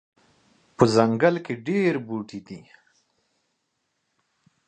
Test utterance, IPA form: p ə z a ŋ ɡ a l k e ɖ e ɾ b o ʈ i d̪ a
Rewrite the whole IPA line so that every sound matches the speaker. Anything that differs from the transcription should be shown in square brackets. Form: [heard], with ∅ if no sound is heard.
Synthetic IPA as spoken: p ə z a ŋ ɡ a l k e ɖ e ɾ b [u] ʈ i d̪ [i]